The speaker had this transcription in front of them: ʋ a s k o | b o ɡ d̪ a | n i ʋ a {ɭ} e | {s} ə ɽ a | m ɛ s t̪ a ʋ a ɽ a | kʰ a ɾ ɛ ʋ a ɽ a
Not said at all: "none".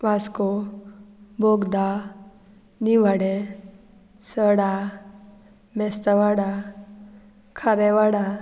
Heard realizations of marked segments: ɽ, s

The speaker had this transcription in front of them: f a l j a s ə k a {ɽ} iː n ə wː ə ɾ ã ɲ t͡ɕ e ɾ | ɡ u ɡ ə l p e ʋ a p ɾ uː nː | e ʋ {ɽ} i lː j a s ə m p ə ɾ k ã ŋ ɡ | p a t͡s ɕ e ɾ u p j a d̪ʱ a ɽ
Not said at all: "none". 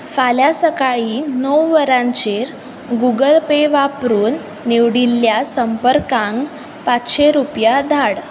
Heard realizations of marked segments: ɭ, ɽ

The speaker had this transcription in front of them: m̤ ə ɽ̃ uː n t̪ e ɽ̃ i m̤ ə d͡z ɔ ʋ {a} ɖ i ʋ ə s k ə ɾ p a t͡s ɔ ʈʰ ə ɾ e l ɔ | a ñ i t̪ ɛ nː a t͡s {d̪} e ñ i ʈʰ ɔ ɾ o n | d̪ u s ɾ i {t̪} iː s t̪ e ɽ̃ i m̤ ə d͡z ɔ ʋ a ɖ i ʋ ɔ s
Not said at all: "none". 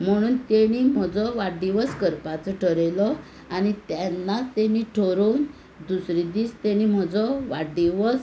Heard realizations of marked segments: a, t̪, d̪

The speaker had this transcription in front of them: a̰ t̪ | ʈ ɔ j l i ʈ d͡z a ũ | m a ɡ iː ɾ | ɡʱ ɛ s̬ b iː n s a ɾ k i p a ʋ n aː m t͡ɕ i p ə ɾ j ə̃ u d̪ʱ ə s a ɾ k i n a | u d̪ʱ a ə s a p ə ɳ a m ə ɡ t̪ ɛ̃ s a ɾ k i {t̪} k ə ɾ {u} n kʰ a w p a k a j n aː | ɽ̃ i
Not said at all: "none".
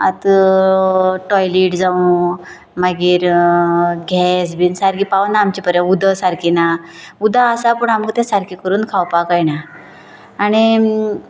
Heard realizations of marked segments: none, uː

